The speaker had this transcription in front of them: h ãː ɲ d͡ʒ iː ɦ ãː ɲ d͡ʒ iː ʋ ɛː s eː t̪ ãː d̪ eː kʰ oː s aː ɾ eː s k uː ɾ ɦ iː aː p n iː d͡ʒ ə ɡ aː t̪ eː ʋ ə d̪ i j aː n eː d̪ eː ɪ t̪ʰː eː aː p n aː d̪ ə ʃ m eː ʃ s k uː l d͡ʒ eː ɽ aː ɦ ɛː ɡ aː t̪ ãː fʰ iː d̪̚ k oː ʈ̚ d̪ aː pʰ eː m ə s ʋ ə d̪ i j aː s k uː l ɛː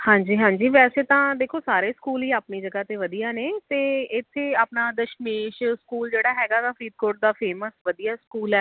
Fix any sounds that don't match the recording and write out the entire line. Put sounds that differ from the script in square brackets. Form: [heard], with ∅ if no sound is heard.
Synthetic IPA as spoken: h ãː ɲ d͡ʒ iː ɦ ãː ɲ d͡ʒ iː ʋ ɛː s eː t̪ ãː d̪ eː kʰ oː s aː ɾ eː s k uː [l] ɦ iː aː p n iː d͡ʒ ə ɡ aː t̪ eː ʋ ə d̪ i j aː n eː [t̪] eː ɪ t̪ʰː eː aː p n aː d̪ ə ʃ m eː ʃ s k uː l d͡ʒ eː ɽ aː ɦ ɛː ɡ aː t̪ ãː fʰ iː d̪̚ k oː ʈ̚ d̪ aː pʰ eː m ə s ʋ ə d̪ i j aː s k uː l ɛː